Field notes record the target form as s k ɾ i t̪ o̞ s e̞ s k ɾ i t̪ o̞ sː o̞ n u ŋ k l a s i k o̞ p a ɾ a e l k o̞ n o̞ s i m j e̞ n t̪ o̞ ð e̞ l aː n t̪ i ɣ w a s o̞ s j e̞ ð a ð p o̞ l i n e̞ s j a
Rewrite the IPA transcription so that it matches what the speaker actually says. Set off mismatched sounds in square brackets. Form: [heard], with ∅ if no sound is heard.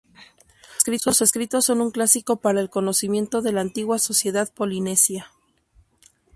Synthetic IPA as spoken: s k ɾ i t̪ o̞ s e̞ s k ɾ i t̪ o̞ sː o̞ n u ŋ k l a s i k o̞ p a ɾ a e l k o̞ n o̞ s i m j e̞ n t̪ o̞ ð e̞ l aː n t̪ i ɣ w a s o̞ s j e̞ ð a ð p o̞ l i n e̞ s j a